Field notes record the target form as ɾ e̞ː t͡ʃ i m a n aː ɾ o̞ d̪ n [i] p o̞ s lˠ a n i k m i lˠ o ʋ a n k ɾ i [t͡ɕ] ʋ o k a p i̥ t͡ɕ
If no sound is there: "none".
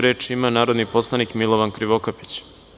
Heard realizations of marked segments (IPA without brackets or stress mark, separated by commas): i, none